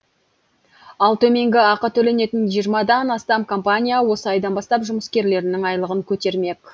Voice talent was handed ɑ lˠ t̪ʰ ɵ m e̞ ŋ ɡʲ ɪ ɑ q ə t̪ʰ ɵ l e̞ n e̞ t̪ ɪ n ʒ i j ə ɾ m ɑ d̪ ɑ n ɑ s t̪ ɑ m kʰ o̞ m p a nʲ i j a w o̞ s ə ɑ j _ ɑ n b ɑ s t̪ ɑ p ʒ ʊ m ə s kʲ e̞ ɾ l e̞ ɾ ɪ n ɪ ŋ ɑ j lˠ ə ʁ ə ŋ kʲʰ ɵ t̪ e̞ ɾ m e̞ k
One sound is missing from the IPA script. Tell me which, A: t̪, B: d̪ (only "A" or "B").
B